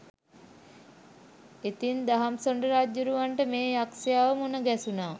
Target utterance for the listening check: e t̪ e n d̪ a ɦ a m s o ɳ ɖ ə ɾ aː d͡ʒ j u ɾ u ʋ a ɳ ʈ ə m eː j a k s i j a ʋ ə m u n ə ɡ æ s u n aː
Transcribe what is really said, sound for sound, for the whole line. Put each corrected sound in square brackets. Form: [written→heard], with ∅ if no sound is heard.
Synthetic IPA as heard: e t̪ [e→i] n d̪ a ɦ a m s o ɳ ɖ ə ɾ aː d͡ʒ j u ɾ u ʋ a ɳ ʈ ə m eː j a k s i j a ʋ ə m u n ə ɡ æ s u n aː